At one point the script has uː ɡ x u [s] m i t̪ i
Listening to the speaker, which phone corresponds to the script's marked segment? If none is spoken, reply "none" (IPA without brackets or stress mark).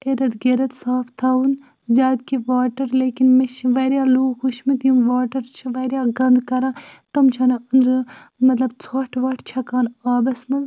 ʃ